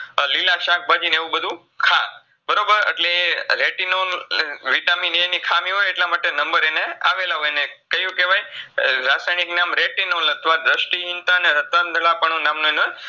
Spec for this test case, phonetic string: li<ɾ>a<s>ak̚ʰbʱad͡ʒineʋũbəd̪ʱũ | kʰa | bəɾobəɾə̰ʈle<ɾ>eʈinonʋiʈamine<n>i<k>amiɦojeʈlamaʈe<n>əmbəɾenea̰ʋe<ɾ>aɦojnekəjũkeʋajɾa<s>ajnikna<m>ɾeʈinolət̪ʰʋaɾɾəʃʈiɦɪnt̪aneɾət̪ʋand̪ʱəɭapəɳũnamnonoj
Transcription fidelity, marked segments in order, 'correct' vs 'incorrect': incorrect, incorrect, correct, correct, incorrect, correct, incorrect, correct, correct

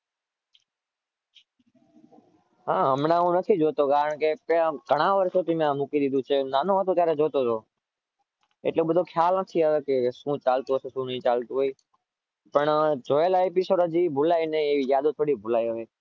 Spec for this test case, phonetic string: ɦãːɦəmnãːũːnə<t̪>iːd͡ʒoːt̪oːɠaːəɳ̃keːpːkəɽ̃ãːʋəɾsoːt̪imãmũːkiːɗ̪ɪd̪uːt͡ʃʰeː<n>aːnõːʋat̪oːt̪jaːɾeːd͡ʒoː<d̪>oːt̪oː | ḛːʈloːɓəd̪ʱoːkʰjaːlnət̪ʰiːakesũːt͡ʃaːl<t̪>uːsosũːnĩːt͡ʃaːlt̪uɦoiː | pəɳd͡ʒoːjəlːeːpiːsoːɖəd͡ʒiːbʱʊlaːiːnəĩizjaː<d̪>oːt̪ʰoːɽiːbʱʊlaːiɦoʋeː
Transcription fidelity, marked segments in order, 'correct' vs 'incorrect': incorrect, correct, incorrect, correct, correct

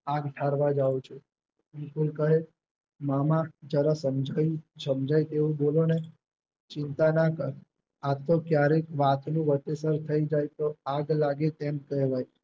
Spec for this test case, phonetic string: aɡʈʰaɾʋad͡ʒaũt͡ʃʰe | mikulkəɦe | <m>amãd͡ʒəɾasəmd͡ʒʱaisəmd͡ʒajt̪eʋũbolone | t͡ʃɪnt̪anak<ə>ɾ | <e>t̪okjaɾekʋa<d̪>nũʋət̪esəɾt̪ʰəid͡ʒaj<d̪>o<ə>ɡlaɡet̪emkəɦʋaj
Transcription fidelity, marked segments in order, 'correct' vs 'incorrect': correct, correct, incorrect, incorrect, incorrect, incorrect

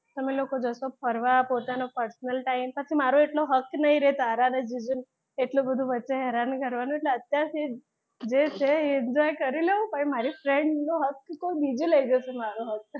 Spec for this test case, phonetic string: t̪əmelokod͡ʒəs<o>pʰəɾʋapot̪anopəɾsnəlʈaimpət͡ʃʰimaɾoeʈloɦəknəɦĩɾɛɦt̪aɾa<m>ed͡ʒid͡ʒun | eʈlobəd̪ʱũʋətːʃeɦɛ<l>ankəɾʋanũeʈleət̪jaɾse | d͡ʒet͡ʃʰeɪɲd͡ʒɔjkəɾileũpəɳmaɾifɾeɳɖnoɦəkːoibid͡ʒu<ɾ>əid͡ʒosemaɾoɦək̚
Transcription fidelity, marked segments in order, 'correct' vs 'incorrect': correct, incorrect, incorrect, incorrect

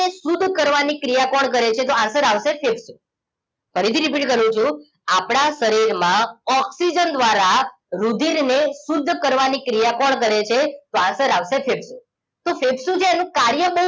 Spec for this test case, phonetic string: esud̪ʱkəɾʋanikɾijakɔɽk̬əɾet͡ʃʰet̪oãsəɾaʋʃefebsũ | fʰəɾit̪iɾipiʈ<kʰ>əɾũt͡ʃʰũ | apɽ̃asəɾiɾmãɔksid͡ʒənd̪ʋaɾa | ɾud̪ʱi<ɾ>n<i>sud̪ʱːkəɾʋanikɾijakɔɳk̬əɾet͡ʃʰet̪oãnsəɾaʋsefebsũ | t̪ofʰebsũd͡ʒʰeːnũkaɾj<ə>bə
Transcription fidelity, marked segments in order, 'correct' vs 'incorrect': incorrect, correct, incorrect, correct

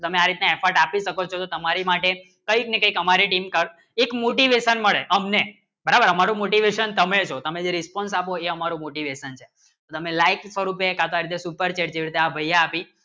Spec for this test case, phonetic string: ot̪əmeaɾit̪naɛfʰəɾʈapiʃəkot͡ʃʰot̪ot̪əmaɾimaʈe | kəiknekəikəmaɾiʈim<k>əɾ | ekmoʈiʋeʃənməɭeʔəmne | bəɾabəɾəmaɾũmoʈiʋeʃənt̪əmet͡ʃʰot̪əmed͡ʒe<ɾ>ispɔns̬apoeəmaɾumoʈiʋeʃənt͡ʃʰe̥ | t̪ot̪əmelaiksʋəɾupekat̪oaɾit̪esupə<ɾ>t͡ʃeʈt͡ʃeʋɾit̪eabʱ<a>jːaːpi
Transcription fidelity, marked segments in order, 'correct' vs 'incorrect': correct, correct, correct, incorrect

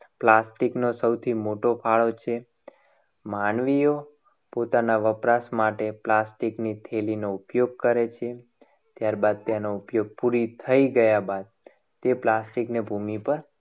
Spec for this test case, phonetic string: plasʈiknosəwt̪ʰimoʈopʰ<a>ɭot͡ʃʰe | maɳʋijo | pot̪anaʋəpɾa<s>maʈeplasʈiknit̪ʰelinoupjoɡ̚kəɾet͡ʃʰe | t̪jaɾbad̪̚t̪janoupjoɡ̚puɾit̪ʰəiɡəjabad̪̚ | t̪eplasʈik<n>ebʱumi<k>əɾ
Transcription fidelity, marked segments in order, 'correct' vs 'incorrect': correct, correct, correct, incorrect

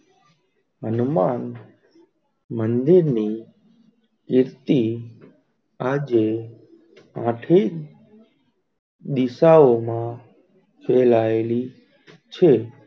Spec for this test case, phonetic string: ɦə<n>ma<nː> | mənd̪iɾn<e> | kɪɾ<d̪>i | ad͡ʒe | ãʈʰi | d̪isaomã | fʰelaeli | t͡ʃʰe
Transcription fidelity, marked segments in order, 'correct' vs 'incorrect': correct, incorrect, incorrect, incorrect

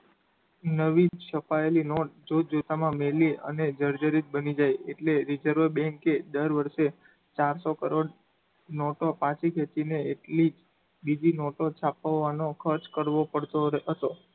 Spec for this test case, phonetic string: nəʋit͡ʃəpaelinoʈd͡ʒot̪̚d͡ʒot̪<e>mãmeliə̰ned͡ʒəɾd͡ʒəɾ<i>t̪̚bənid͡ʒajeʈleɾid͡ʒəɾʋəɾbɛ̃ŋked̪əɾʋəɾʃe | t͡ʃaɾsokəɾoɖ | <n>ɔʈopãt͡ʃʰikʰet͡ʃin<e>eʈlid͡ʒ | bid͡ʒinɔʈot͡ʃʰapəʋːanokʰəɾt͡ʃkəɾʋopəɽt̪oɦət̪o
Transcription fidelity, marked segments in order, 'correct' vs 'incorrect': incorrect, correct, correct, correct

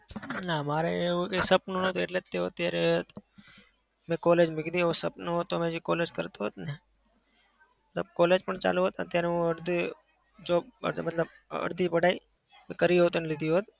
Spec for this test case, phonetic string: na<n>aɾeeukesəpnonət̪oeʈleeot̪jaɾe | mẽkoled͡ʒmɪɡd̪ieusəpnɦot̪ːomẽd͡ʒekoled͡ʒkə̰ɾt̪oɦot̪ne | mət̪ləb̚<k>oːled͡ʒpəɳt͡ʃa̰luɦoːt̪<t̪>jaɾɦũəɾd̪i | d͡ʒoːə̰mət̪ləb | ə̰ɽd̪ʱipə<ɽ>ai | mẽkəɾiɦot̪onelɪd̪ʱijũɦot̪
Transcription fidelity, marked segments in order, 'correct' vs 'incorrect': incorrect, correct, correct, correct

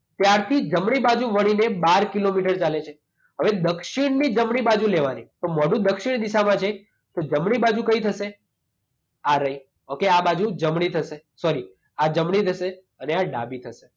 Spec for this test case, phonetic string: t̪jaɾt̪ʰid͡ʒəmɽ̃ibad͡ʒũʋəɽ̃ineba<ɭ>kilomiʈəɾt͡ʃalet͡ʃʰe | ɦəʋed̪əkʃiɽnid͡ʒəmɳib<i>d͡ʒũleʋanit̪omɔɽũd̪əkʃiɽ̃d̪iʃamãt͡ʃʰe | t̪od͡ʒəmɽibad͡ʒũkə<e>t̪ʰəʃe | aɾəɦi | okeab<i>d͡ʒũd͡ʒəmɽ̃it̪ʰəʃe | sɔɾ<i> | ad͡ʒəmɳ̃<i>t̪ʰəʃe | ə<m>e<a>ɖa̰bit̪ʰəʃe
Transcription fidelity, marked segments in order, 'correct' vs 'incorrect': incorrect, incorrect, incorrect, incorrect, correct, correct, incorrect, correct

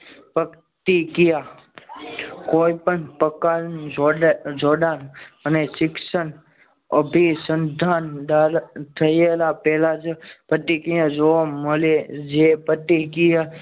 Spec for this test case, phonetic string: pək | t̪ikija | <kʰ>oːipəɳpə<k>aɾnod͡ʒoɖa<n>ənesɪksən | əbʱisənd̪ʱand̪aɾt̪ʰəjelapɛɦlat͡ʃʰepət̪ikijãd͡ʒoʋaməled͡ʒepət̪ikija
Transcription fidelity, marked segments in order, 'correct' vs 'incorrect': incorrect, correct, correct

